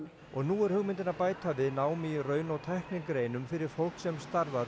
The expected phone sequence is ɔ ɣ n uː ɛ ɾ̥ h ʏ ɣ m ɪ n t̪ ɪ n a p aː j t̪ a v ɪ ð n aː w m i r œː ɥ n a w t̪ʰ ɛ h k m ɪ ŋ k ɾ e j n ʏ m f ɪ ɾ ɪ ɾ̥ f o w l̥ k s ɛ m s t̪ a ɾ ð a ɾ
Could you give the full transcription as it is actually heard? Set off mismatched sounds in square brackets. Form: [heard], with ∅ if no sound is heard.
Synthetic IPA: ɔ ɣ n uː ɛ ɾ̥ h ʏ ɣ m ɪ n t̪ ɪ n a p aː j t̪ a v ɪ ð n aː w m i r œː ɥ n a w t̪ʰ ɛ h k [n] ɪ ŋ k ɾ e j n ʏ m f ɪ ɾ ɪ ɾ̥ f o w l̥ k s ɛ m s t̪ a ɾ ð a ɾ